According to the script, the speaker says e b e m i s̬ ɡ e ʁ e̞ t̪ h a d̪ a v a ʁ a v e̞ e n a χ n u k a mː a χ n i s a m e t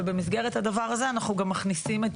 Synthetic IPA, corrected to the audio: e b e m i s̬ ɡ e ʁ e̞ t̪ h a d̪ a v a ʁ a z e̞ a n a χ n u ɡ a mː a χ n i s i m e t